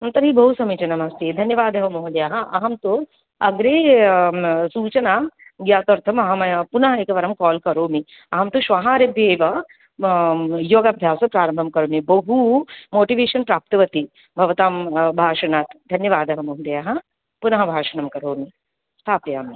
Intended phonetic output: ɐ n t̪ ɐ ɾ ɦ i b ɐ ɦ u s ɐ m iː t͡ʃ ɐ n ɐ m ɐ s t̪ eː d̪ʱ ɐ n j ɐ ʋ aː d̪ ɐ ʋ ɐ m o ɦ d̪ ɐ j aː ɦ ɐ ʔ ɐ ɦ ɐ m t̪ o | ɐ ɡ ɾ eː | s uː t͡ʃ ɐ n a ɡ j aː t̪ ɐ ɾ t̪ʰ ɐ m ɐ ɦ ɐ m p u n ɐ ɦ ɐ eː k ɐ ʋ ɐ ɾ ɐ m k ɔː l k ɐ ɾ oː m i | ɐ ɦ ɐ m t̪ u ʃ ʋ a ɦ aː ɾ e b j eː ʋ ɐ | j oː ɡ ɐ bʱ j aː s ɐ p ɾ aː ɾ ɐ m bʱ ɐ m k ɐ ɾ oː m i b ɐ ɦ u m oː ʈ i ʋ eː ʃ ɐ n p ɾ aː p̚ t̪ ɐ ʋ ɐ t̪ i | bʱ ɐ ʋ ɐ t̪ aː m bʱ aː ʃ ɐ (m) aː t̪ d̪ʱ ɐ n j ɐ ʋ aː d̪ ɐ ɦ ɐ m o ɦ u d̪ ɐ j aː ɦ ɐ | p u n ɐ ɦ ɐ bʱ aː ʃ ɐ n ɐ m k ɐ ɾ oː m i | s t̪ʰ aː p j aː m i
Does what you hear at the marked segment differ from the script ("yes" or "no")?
yes